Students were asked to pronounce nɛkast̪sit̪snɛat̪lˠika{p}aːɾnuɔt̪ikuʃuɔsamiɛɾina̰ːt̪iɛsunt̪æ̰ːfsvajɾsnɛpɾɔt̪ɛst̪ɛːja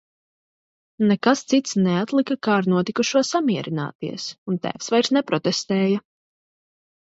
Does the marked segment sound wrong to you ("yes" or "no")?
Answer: yes